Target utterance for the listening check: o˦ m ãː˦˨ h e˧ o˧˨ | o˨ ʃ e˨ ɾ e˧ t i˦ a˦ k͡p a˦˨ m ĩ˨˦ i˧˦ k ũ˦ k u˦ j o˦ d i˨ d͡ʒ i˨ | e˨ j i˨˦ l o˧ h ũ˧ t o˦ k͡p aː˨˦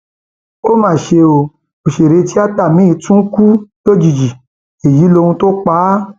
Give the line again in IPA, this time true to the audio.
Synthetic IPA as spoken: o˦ m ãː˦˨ ʃ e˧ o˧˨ | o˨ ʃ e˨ ɾ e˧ t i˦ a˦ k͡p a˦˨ m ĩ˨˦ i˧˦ t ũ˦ k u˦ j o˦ d͡ʒ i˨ d͡ʒ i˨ | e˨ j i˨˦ l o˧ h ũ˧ t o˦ k͡p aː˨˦

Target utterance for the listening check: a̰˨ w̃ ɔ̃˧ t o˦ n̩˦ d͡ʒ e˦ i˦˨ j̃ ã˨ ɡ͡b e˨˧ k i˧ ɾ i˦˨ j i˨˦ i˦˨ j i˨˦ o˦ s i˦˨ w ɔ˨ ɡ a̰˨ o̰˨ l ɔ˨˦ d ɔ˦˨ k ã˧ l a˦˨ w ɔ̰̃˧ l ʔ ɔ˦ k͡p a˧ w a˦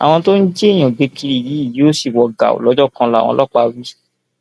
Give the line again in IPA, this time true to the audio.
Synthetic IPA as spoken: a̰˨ w̃ ɔ̃˧ t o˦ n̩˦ d͡ʒ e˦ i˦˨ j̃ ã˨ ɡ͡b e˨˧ k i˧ ɾ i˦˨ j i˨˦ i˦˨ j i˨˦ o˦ s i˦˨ w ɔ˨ ɡ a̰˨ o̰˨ l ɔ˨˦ d͡ʒ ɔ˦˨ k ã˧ l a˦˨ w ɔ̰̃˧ l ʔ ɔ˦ k͡p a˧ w i˦

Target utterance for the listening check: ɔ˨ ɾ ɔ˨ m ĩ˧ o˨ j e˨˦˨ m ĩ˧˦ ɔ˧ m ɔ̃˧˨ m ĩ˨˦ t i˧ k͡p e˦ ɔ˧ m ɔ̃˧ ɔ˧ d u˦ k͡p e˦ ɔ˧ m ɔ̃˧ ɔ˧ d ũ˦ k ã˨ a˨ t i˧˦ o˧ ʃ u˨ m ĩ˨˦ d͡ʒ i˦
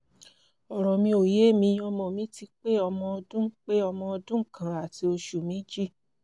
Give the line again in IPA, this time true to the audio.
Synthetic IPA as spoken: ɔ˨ ɾ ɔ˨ m ĩ˧ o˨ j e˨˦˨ m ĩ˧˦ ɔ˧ m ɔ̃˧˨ m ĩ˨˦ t i˧ k͡p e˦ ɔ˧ m ɔ̃˧ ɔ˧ d ũ˦ k͡p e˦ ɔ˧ m ɔ̃˧ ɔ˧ d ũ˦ k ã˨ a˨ t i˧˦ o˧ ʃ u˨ m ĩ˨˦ d͡ʒ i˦

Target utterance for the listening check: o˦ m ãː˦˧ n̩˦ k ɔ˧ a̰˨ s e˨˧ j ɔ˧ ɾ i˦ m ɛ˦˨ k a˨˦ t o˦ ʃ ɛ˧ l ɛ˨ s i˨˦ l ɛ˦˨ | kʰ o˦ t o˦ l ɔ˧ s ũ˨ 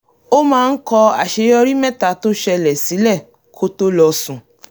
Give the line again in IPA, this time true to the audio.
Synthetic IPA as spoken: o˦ m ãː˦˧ n̩˦ k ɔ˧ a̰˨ ʃ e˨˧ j ɔ˧ ɾ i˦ m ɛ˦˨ t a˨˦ t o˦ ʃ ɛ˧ l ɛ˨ s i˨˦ l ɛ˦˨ | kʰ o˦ t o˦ l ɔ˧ s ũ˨

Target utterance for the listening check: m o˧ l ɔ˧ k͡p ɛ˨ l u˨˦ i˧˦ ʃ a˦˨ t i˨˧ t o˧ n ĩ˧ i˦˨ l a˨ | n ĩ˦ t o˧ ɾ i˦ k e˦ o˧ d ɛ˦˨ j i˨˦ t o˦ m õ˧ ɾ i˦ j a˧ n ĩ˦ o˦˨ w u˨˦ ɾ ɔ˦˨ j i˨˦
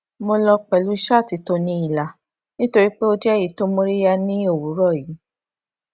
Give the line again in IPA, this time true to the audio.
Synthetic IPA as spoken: m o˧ l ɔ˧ k͡p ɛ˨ l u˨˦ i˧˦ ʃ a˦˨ t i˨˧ t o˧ n ĩ˧ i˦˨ l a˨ | n ĩ˦ t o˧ ɾ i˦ k͡p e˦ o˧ d͡ʒ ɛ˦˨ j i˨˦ t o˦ m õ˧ ɾ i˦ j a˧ n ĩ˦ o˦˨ w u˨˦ ɾ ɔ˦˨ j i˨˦

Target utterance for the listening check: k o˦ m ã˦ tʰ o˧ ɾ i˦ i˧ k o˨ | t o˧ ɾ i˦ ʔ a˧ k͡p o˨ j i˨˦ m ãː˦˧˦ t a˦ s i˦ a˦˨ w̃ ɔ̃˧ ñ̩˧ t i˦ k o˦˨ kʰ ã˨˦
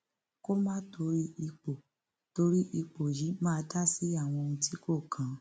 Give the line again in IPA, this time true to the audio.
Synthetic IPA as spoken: k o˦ m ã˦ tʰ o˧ ɾ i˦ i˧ k͡p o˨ | t o˧ ɾ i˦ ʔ i˧ k͡p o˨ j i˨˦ m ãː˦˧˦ t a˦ s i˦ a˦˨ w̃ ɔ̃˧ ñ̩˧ t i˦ k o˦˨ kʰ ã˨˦

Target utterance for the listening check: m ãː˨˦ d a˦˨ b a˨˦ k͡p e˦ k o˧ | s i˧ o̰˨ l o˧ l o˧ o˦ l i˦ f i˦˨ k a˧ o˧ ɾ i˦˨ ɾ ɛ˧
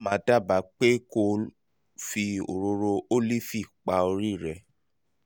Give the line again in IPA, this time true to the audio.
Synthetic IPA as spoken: m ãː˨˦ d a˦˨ b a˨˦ k͡p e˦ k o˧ | f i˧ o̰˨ ɾ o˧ ɾ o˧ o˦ l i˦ f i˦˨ k͡p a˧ o˧ ɾ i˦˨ ɾ ɛ˧

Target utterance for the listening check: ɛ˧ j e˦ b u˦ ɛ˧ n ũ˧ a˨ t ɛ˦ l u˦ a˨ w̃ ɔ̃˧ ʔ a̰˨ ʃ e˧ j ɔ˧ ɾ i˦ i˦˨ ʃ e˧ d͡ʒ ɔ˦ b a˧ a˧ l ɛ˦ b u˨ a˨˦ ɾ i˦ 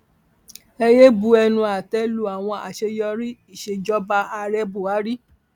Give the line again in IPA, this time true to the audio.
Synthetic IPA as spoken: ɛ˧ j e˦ b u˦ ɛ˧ n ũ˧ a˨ t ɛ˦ l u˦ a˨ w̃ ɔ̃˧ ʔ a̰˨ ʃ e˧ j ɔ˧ ɾ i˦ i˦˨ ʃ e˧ d͡ʒ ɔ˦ b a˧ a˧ ɾ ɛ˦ b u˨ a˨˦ ɾ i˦

